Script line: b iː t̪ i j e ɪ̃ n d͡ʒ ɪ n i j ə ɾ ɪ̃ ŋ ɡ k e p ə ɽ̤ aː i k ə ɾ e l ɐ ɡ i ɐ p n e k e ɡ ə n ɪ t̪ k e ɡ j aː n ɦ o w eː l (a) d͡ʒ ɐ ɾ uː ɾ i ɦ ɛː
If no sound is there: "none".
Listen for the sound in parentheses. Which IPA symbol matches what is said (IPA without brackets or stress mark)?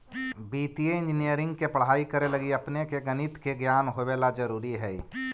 a